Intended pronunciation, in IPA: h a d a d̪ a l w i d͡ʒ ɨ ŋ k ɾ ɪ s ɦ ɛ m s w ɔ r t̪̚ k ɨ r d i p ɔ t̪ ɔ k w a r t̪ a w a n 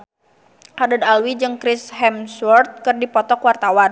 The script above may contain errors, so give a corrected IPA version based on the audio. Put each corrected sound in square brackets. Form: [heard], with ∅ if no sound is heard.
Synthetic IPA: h a d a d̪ a l w i d͡ʒ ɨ ŋ k ɾ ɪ s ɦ ɛ m s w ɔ r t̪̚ k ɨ r d i p ɔ t̪ ɔ k w a r t̪ a w a n